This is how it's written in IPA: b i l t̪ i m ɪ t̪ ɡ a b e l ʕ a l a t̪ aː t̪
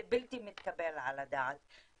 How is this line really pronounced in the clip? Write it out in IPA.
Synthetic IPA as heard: b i l t̪ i m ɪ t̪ k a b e l ʕ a l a d̪ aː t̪